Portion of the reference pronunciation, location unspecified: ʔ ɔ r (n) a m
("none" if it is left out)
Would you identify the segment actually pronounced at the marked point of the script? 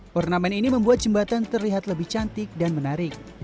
n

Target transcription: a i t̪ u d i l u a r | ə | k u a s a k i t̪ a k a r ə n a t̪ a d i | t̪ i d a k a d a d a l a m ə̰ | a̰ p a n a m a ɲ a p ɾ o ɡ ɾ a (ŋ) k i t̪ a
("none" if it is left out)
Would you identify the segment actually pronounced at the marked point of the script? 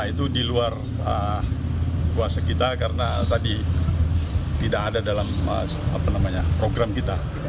m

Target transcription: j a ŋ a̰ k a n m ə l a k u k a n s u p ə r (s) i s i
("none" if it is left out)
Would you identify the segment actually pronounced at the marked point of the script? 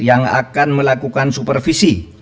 f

